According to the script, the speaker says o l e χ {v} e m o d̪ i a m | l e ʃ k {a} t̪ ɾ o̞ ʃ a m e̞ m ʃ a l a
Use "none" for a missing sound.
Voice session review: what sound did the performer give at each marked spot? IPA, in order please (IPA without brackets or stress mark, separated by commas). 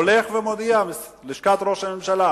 v, a